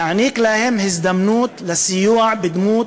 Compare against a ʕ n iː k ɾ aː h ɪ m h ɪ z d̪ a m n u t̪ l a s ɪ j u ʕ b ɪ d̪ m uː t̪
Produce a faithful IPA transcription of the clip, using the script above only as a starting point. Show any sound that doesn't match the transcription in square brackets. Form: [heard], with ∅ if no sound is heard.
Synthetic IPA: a ʕ n iː k [l] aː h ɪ m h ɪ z d̪ a m n [uː] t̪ l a s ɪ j [uː] ʕ b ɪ d̪ m uː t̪